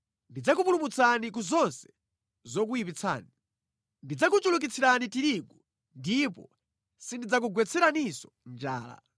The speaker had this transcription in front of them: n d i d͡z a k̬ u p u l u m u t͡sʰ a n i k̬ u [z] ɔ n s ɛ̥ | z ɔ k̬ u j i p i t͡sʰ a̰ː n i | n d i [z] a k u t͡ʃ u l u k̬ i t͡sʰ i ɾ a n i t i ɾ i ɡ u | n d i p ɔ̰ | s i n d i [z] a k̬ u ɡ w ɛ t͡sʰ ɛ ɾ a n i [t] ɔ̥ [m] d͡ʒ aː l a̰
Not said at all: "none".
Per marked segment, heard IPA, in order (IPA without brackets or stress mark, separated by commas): z, d͡z, d͡z, s, n